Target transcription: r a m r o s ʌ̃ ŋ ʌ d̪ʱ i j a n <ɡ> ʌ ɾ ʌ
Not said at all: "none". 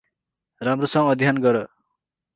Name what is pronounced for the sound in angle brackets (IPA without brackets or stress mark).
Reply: ɡ